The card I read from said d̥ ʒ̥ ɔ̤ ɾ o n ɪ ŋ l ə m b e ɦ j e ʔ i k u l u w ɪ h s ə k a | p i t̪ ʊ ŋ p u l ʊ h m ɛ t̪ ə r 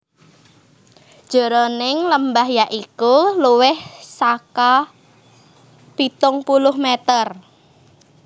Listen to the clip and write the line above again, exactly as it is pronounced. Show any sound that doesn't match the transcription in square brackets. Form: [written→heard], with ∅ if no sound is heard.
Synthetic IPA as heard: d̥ ʒ̥ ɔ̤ ɾ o n ɪ ŋ l ə m b [e→a] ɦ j [e→a] ʔ i k u l u w ɪ h s [ə→a] k a | p i t̪ ʊ ŋ p u l ʊ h m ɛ t̪ ə r